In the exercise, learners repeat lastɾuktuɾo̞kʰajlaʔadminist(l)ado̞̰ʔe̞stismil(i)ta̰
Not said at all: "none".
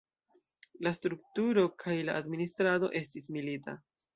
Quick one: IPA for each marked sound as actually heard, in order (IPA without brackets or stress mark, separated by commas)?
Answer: ɾ, i